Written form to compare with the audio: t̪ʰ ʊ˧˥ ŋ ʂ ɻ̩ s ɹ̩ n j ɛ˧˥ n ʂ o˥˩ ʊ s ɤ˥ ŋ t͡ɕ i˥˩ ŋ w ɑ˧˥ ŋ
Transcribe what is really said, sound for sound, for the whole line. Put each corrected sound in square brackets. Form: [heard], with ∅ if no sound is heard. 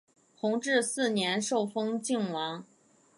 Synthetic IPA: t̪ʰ ʊ˧˥ ŋ [ʈ͡ʂ] ɻ̩ s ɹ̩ n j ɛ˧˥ n ʂ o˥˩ ʊ [f] ɤ˥ ŋ t͡ɕ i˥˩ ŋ w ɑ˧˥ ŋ

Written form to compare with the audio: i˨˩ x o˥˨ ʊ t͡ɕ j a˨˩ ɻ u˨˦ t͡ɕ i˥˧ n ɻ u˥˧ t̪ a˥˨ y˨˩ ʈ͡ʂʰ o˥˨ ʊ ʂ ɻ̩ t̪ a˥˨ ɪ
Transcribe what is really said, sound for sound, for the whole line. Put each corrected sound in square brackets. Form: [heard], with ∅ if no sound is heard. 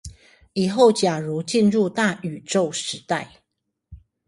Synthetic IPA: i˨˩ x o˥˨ ʊ t͡ɕ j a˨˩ ɻ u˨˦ t͡ɕ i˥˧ n ɻ u˥˧ t̪ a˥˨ y˨˩ [ʈ͡ʂ] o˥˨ ʊ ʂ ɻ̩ t̪ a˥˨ ɪ

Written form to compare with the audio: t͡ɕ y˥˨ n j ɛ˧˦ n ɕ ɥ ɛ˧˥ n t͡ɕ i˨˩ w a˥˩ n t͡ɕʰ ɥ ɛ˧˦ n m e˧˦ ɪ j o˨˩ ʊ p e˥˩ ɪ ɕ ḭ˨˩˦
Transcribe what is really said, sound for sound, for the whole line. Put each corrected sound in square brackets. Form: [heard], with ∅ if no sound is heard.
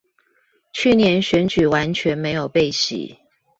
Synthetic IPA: [t͡ɕʰ] y˥˨ n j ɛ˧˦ n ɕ ɥ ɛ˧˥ n t͡ɕ [y˨˩] w [a˧˦] n t͡ɕʰ ɥ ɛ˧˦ n m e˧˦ ɪ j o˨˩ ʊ p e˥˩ ɪ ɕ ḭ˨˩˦

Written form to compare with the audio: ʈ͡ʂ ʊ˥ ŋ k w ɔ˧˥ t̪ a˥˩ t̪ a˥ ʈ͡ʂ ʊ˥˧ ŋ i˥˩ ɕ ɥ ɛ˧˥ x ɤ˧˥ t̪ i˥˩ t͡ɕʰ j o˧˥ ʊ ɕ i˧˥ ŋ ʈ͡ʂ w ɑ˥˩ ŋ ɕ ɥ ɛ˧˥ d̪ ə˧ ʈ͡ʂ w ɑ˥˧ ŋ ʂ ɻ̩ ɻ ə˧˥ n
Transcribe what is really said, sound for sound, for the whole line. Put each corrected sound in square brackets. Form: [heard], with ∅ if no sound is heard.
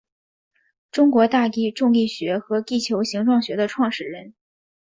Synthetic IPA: ʈ͡ʂ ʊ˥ ŋ k w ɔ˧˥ t̪ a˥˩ t̪ [i˥] ʈ͡ʂ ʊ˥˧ ŋ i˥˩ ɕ ɥ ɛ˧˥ x ɤ˧˥ t̪ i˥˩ t͡ɕʰ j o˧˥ ʊ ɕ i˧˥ ŋ ʈ͡ʂ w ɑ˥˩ ŋ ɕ ɥ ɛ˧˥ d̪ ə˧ [ʈ͡ʂʰ] w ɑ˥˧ ŋ ʂ ɻ̩ ɻ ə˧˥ n

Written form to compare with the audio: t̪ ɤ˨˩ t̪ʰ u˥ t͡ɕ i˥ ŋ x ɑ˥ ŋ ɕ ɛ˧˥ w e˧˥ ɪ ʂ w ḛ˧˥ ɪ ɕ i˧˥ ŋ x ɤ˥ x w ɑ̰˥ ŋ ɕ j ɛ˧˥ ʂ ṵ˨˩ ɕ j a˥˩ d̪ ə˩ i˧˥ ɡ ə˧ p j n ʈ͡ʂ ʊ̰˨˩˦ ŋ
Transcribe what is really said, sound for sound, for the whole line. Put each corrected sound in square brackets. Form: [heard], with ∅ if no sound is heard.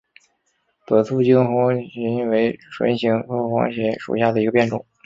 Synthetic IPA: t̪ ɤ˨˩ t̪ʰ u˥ t͡ɕ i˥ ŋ x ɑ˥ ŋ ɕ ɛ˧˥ w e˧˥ ɪ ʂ w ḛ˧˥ ɪ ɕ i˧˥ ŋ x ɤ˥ x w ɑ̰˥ ŋ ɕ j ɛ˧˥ ʂ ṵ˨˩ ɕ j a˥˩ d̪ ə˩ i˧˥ ɡ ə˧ p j n ʈ͡ʂ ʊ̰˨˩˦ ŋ

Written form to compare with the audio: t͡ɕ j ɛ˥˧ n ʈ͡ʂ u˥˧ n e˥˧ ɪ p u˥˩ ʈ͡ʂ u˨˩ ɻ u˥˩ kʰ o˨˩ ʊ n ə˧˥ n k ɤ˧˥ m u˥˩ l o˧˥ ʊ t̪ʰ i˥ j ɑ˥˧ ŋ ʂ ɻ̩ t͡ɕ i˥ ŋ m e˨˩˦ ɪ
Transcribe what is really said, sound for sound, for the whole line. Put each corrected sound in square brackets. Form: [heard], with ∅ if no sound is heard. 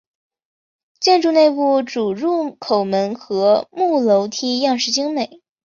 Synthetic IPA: t͡ɕ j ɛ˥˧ n ʈ͡ʂ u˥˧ n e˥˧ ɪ p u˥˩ ʈ͡ʂ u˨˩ ɻ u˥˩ kʰ o˨˩ ʊ [m] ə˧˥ n [x] ɤ˧˥ m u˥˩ l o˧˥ ʊ t̪ʰ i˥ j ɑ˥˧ ŋ ʂ ɻ̩ t͡ɕ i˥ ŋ m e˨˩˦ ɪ

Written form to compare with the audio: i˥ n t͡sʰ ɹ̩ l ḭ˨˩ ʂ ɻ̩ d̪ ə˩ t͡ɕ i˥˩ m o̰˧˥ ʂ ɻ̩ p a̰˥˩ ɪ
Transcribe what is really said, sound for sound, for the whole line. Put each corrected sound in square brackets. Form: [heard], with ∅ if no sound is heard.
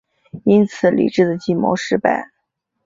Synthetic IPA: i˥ n t͡sʰ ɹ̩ l ḭ˨˩ [ʈ͡ʂ] ɻ̩ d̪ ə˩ t͡ɕ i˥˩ m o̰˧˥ ʂ ɻ̩ p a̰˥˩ ɪ

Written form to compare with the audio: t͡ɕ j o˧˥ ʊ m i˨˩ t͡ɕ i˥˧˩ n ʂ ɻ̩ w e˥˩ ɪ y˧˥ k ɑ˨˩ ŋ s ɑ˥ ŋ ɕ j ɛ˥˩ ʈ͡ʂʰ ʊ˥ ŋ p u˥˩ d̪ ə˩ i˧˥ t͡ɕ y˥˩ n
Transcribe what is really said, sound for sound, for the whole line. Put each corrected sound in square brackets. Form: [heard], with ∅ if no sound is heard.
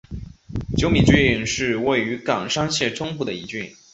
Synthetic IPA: t͡ɕ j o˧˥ ʊ m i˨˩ t͡ɕ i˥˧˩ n ʂ ɻ̩ w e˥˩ ɪ y˧˥ k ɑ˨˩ ŋ [ʂ] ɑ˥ ŋ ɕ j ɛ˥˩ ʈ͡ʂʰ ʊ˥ ŋ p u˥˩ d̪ ə˩ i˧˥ t͡ɕ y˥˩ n

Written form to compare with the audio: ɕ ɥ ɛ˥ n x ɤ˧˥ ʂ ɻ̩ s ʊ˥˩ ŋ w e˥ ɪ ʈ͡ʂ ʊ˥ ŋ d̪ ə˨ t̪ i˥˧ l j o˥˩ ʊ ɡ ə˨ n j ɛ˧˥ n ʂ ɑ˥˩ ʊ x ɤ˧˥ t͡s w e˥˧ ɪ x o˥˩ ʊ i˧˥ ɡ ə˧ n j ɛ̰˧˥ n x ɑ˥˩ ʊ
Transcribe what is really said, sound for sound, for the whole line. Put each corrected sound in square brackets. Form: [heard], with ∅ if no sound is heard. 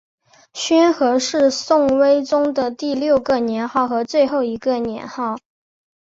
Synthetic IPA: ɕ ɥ ɛ˥ n x ɤ˧˥ ʂ ɻ̩ s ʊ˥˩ ŋ w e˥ ɪ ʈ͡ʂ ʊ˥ ŋ d̪ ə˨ t̪ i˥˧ l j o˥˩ ʊ ɡ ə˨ n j ɛ˧˥ n [x] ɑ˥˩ ʊ x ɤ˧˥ t͡s w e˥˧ ɪ x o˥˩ ʊ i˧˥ ɡ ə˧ n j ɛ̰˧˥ n x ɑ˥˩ ʊ

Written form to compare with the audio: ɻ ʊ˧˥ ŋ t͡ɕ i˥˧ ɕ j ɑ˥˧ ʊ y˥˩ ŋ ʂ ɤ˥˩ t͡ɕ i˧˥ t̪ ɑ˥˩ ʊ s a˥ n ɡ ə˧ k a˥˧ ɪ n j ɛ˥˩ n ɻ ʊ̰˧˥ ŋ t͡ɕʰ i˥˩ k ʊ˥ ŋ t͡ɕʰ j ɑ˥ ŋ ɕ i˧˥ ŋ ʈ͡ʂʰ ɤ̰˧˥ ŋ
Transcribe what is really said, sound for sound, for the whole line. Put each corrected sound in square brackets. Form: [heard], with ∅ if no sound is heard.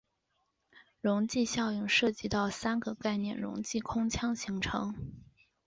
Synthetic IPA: ɻ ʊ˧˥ ŋ t͡ɕ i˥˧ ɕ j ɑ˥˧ ʊ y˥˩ ŋ ʂ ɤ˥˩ t͡ɕ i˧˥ t̪ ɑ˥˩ ʊ s a˥ n ɡ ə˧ k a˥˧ ɪ n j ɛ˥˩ n ɻ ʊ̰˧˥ ŋ [t͡ɕ] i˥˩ [kʰ] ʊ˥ ŋ t͡ɕʰ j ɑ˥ ŋ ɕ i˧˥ ŋ ʈ͡ʂʰ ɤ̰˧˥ ŋ

